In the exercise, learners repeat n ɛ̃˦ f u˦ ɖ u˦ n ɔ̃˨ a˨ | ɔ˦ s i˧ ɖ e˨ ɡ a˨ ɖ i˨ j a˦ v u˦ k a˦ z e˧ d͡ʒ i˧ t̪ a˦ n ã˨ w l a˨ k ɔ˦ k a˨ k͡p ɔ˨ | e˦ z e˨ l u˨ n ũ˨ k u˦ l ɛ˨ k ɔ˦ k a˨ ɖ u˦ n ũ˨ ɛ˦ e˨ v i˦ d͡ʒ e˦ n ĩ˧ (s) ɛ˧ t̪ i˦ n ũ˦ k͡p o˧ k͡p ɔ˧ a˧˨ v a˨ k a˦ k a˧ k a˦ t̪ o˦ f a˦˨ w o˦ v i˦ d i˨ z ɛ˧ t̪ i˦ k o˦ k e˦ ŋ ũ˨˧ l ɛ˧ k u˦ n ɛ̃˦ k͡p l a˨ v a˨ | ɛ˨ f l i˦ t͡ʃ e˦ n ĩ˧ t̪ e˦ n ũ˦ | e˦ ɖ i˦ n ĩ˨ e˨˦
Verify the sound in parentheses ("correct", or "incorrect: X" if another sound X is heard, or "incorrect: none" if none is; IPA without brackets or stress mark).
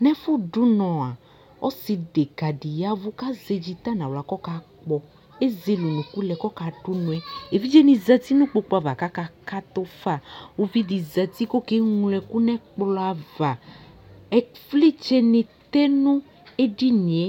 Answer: incorrect: z